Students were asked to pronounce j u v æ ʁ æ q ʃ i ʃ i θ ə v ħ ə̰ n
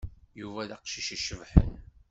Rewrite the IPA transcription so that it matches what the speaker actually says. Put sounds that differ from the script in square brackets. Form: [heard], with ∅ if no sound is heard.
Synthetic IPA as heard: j u v æ [ð] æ q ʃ i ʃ i [ʃ] ə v ħ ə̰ n